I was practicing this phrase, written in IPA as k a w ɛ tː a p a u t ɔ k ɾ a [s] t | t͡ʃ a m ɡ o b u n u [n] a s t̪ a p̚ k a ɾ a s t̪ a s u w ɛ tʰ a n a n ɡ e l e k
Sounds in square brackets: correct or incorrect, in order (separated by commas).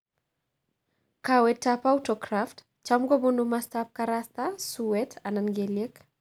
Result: incorrect, incorrect